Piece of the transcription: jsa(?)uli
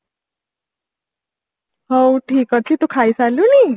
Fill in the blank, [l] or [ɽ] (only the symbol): l